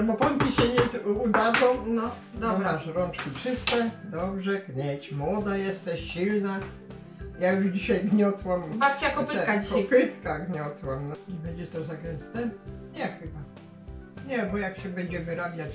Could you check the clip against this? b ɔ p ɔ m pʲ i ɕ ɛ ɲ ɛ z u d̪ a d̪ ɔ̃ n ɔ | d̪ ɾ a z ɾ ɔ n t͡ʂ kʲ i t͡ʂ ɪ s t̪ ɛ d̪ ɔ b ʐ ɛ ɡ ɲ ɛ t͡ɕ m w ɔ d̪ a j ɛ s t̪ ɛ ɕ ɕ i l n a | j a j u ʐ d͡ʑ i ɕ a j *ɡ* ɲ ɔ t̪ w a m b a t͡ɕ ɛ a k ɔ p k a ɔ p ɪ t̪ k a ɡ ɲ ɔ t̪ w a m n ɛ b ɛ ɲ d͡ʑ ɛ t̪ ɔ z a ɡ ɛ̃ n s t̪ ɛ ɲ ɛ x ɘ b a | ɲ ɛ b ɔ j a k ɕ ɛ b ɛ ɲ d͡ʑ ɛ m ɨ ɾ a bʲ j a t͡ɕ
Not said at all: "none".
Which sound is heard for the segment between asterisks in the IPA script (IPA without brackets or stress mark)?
ɡ